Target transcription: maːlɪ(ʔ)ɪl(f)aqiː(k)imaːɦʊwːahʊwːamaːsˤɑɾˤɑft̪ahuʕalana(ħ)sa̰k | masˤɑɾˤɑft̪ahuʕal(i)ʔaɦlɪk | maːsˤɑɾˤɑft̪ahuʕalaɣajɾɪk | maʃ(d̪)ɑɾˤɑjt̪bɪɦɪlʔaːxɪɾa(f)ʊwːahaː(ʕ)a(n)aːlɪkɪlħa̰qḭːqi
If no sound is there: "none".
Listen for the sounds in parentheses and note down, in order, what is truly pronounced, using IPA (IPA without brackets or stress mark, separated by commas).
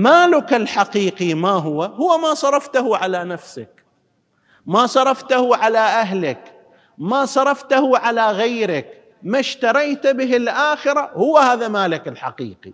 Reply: k, ħ, q, f, a, t̪, h, ð, m